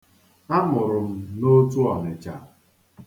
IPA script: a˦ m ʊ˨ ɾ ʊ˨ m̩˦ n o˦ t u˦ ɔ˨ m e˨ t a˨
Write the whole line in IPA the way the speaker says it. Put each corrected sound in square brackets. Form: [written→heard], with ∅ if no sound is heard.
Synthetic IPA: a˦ m ʊ˨ ɾ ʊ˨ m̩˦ n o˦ t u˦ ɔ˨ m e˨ [t→t͡ʃ] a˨